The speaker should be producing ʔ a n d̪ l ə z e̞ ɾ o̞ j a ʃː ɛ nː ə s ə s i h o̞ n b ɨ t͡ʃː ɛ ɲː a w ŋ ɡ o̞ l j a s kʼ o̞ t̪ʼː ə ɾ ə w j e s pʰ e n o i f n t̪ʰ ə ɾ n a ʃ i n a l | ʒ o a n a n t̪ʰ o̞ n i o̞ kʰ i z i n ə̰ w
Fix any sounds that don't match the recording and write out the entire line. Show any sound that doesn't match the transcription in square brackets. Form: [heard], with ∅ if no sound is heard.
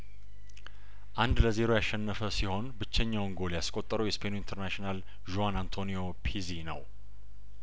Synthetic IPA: ʔ a n d̪ l ə z e̞ ɾ o̞ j a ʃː ɛ nː ə [f] ə s i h o̞ n b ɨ t͡ʃː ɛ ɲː a w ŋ ɡ o̞ l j a s kʼ o̞ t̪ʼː ə ɾ ə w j [ɛ] s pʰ e n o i [∅] n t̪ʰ ə ɾ n a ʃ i n a l | ʒ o a n a n t̪ʰ o̞ n i o̞ [pʰ] i z i n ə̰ w

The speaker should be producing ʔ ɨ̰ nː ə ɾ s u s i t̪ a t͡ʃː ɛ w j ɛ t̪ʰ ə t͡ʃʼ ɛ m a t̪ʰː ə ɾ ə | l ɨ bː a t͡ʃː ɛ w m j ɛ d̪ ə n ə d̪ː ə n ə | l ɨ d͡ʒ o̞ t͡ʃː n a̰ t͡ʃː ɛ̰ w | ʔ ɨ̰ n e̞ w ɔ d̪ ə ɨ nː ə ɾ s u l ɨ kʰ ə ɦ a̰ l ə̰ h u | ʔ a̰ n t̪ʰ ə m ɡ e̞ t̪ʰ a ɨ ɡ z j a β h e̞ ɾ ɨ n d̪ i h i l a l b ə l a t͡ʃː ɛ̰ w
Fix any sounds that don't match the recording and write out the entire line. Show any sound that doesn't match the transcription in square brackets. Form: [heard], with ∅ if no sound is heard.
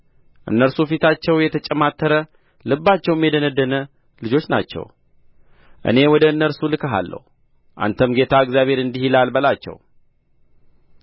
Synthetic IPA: ʔ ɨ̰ nː ə ɾ s u [f] i t̪ a t͡ʃː ɛ w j ɛ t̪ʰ ə t͡ʃʼ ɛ m a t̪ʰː ə ɾ ə | l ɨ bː a t͡ʃː ɛ w m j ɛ d̪ ə n ə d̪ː ə n ə | l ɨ d͡ʒ o̞ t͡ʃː n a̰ t͡ʃː ɛ̰ w | ʔ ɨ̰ n e̞ w ɔ d̪ ə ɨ nː ə ɾ s u l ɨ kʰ ə ɦ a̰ [lː] ə̰ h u | ʔ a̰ n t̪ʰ ə m ɡ e̞ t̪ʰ a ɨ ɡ z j a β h e̞ ɾ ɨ n d̪ i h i l a l b ə l a t͡ʃː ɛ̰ w

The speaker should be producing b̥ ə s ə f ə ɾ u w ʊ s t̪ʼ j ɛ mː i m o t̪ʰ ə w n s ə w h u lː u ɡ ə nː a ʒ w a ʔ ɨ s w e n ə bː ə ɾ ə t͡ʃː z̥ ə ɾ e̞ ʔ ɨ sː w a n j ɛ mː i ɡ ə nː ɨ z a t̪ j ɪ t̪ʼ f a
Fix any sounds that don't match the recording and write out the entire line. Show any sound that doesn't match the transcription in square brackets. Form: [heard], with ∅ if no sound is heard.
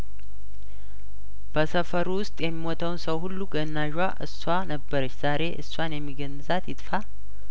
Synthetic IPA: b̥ ə s ə f ə ɾ u w ʊ s t̪ʼ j ɛ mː i m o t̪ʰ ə w n s ə w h u lː u ɡ ə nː a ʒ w a ʔ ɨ s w [a] n ə bː ə ɾ ə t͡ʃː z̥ [a] ɾ e̞ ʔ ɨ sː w a n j ɛ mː i ɡ ə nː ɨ z a t̪ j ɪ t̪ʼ f a

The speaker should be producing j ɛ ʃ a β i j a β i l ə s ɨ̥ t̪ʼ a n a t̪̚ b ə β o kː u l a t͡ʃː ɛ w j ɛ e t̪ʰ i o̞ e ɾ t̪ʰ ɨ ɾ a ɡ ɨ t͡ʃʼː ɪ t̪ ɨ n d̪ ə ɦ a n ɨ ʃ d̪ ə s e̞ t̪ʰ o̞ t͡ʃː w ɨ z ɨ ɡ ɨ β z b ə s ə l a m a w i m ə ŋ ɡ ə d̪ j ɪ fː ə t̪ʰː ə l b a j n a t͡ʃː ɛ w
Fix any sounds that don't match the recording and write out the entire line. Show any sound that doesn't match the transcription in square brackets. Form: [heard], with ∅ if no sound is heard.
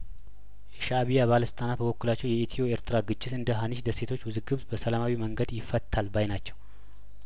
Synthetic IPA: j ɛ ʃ a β i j a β [a] l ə s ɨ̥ t̪ʼ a n a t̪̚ b ə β o kː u l a t͡ʃː ɛ w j ɛ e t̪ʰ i o̞ e ɾ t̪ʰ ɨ ɾ a ɡ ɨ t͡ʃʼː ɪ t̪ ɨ n d̪ ə ɦ a n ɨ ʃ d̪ ə s e̞ t̪ʰ o̞ t͡ʃː w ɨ z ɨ ɡ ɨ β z b ə s ə l a m a w i m ə ŋ ɡ ə d̪ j ɪ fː ə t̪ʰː [a] l b a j n a t͡ʃː ɛ w

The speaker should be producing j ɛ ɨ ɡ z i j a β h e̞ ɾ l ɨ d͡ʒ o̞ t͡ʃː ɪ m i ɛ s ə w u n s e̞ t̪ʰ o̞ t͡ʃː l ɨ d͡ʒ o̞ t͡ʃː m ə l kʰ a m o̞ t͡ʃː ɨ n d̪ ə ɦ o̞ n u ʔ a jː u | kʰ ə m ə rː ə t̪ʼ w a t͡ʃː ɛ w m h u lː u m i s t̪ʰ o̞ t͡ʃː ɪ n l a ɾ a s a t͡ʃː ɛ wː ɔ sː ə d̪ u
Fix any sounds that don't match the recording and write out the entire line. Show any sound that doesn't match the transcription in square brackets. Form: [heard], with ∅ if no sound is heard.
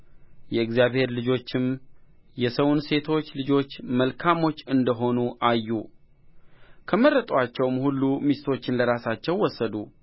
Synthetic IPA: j ɛ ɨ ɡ z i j a β h e̞ ɾ l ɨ d͡ʒ o̞ t͡ʃː ɪ m [j] ɛ s ə w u n s e̞ t̪ʰ o̞ t͡ʃː l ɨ d͡ʒ o̞ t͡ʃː m ə l kʰ a m o̞ t͡ʃː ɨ n d̪ ə ɦ o̞ n u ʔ a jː u | kʰ ə m ə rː ə t̪ʼ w a t͡ʃː ɛ w m h u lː u m i s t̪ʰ o̞ t͡ʃː ɪ n l [ə] ɾ a s a t͡ʃː ɛ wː ɔ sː ə d̪ u

